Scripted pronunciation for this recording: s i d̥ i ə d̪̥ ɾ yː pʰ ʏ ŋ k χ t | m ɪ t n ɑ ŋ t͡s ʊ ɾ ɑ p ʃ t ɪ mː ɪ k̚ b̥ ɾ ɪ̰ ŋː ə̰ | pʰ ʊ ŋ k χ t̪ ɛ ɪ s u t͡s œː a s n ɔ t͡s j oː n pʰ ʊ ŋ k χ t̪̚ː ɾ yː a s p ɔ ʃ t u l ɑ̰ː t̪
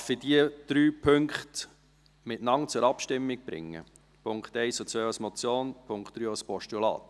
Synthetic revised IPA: f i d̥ i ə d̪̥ ɾ yː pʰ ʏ ŋ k χ t | m ɪ t n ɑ ŋ t͡s ʊ ɾ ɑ p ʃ t ɪ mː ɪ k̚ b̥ ɾ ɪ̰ ŋː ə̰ | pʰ ʊ ŋ k χ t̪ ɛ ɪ s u t͡s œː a s m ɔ t͡s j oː n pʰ ʊ ŋ k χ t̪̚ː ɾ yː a s p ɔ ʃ t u l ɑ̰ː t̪